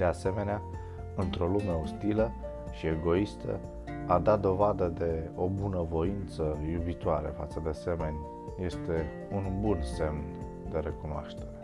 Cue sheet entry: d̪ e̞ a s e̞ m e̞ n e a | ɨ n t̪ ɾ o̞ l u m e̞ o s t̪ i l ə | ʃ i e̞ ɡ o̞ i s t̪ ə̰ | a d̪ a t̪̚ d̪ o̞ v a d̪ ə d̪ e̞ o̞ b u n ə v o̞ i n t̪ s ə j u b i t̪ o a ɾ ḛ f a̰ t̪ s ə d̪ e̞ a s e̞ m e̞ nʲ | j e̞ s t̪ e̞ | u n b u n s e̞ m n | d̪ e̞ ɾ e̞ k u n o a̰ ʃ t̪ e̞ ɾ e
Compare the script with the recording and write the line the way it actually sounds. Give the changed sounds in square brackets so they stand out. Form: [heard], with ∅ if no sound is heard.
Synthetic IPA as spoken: d̪ e̞ a s e̞ m e̞ n e a | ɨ n t̪ ɾ o̞ l u m e̞ o s t̪ i l ə | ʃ i e̞ ɡ o̞ i s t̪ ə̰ | a d̪ a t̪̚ d̪ o̞ v a d̪ ə d̪ e̞ o̞ b u n ə v o̞ i n t̪ s ə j u b i t̪ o a ɾ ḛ f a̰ t̪ s ə d̪ e̞ a s e̞ m e̞ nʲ | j e̞ s t̪ e̞ | u n b u n s e̞ m n | d̪ e̞ ɾ e̞ k u n o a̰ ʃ t̪ e̞ ɾ e